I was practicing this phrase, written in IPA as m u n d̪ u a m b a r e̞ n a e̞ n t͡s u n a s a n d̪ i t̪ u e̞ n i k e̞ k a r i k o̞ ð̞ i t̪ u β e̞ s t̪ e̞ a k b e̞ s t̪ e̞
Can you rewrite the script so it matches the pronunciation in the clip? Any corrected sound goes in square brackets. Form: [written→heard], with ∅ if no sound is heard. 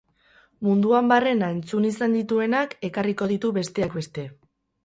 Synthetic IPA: m u n d̪ u a m b a r e̞ n a e̞ n t͡s u n [a→i] s a n d̪ i t̪ u e̞ n [i→a] k e̞ k a r i k o̞ ð̞ i t̪ u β e̞ s t̪ e̞ a k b e̞ s t̪ e̞